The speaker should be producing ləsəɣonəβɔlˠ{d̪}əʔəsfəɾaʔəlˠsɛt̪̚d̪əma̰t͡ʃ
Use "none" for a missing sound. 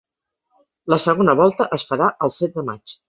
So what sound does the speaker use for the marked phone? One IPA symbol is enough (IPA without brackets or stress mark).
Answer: t̪